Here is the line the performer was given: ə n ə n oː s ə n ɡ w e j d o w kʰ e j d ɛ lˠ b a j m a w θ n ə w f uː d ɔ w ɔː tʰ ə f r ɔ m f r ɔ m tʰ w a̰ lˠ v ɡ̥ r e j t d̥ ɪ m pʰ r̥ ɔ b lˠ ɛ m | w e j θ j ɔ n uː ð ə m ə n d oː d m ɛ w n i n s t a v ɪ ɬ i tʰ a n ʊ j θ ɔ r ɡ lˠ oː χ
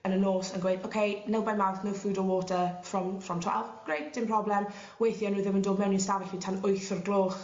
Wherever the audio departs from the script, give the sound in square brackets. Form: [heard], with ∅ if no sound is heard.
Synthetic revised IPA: ə n ə n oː s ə n ɡ w e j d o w kʰ e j [n] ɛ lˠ b a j m a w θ n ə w f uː d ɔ w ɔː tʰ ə f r ɔ m f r ɔ m tʰ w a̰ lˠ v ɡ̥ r e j t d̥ ɪ m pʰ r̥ ɔ b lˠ ɛ m | w e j θ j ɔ n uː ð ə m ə n d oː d m ɛ w n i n s t a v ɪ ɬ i tʰ a n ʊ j θ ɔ r ɡ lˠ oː χ